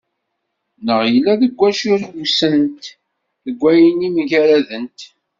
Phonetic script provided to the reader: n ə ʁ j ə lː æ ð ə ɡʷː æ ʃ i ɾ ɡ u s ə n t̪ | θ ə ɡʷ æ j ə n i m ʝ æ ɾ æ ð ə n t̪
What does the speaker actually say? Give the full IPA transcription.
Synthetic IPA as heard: n ə ʁ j ə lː æ ð ə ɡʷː æ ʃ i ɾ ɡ u s ə n t̪ | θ ə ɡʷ æ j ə n i m ʝ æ ɾ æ ð ə n t̪